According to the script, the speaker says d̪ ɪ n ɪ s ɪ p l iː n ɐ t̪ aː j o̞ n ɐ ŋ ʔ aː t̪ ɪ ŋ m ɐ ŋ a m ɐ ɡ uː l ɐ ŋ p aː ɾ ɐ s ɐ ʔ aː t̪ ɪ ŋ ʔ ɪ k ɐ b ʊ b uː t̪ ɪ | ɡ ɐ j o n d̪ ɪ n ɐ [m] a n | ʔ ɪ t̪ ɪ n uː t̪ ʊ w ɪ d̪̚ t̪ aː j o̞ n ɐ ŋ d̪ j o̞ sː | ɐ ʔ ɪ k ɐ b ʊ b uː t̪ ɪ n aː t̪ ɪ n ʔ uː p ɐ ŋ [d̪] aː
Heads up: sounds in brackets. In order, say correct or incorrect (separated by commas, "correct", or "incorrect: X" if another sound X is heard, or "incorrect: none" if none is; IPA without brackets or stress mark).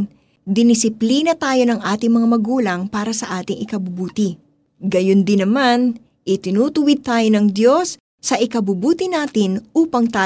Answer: correct, incorrect: t̪